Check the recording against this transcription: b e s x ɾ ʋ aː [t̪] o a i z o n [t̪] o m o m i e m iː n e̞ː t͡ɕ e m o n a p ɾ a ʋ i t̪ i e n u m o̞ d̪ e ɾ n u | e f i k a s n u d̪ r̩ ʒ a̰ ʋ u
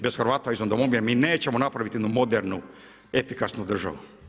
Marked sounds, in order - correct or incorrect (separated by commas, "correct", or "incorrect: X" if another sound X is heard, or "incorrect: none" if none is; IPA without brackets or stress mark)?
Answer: correct, incorrect: d̪